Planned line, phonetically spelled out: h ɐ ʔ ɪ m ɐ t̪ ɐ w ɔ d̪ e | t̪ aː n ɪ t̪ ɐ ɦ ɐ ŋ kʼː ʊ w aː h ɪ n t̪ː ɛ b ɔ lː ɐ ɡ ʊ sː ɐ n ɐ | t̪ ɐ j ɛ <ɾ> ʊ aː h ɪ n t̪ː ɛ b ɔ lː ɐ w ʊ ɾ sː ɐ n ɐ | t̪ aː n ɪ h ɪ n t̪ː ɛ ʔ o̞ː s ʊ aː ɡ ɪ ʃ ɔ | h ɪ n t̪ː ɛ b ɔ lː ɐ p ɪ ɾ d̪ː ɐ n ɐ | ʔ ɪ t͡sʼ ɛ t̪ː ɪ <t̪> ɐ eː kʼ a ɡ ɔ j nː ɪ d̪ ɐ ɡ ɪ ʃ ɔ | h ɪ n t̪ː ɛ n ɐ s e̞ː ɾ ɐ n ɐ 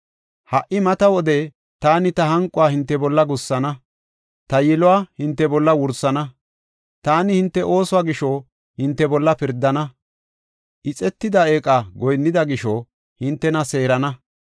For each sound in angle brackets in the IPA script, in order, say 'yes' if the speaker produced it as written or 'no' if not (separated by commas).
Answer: no, no